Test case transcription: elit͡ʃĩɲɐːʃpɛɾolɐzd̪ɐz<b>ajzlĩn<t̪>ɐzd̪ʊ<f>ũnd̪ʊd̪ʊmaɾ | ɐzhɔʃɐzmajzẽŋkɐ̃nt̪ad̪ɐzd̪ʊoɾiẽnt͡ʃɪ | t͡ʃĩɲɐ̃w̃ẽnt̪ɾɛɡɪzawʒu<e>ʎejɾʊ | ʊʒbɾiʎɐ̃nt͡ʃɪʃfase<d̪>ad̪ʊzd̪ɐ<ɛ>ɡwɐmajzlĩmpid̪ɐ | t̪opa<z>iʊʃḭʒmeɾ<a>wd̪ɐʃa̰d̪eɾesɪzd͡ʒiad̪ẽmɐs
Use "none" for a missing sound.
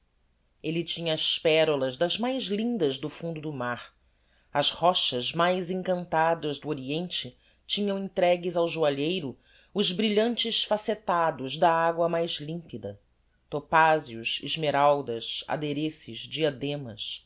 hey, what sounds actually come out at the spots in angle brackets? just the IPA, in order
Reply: m, d̪, f, a, t̪, a, z, a

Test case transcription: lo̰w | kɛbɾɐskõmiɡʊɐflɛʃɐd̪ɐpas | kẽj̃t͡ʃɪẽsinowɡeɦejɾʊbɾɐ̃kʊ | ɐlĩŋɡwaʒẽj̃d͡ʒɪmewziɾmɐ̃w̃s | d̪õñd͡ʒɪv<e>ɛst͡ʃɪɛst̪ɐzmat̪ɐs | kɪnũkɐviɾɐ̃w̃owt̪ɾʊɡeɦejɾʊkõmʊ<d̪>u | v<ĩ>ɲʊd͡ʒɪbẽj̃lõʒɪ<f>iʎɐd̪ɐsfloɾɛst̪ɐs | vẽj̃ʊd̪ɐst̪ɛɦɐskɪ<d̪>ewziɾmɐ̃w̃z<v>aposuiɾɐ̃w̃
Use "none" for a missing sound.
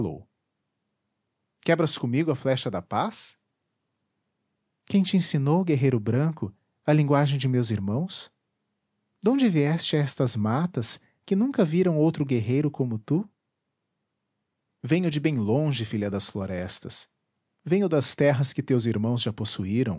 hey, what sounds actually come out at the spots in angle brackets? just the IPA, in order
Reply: i, t̪, ẽ, f, t̪, ʒ

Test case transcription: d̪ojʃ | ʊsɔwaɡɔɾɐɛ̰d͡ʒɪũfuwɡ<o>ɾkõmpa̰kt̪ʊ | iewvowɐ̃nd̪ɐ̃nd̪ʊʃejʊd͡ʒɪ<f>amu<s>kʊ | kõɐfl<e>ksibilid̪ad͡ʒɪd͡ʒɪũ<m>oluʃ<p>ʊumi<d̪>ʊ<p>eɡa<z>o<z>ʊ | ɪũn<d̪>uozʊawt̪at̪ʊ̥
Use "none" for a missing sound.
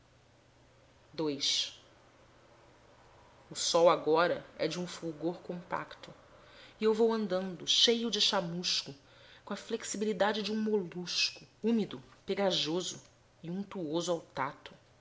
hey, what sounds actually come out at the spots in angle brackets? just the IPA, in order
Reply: o, ʃ, ʃ, e, m, k, d̪, p, ʒ, z, t̪

